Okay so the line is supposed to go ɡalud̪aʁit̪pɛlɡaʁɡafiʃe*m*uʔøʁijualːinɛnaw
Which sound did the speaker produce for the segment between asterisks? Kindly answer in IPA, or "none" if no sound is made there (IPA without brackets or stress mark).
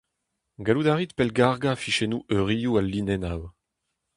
n